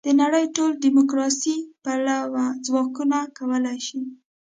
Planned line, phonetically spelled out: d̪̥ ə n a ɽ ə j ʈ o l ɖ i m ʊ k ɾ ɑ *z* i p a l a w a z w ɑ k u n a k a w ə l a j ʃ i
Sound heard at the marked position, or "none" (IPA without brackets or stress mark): s